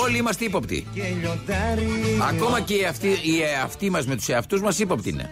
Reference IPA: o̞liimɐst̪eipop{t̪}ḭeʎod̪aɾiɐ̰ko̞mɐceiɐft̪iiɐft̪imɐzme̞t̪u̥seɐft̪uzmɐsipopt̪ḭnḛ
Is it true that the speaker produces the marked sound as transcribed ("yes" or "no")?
yes